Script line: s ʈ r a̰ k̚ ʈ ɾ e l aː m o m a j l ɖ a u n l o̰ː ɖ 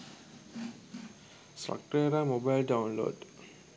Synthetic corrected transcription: s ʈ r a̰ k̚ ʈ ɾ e ɾ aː m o b a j l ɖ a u n l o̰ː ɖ